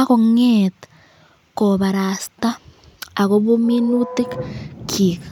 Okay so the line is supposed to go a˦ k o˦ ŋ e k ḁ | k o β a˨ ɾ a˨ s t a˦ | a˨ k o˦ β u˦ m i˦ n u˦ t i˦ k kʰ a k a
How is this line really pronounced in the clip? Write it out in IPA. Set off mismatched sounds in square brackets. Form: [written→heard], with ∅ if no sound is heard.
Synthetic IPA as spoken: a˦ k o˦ ŋ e [k→t] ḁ | k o β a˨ ɾ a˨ s t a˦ | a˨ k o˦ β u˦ m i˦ n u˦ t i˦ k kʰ [a→i] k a